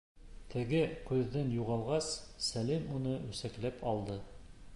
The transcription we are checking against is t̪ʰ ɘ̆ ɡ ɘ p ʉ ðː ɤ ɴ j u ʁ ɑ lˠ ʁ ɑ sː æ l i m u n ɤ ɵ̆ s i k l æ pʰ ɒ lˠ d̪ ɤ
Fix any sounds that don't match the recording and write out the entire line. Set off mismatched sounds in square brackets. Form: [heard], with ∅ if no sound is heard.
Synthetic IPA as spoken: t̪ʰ ɘ̆ ɡ ɘ [q] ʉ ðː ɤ [n] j u ʁ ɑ lˠ ʁ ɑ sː æ l i m u n ɤ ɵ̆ s [æ] k l æ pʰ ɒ lˠ d̪ ɤ